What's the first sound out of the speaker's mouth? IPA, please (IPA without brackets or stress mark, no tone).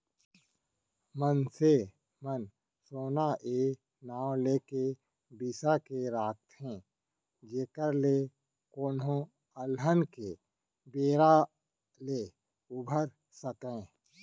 m